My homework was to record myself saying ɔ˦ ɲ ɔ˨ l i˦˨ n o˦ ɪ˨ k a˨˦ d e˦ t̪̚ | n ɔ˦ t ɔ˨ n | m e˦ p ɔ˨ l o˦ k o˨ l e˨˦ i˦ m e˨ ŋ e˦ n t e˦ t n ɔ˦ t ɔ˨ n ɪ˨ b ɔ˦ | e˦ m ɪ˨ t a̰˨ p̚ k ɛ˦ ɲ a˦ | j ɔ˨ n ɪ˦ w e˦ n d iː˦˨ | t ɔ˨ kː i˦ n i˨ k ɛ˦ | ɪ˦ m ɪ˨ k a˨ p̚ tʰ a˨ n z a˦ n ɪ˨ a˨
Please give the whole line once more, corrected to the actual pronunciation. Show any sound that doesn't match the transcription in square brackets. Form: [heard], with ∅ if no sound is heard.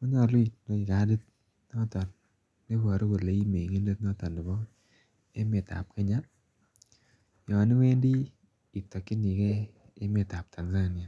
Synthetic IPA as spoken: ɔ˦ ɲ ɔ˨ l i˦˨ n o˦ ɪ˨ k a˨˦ d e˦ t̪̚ | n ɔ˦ t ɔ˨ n | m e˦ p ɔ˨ [ɾ] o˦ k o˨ l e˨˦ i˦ m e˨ ŋ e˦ n [d] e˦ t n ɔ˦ t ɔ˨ n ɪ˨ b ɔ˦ | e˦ m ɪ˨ t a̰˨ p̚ k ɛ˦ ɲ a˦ | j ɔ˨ n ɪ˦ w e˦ n d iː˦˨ | t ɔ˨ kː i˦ n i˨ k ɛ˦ | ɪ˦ m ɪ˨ [t] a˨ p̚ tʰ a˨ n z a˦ n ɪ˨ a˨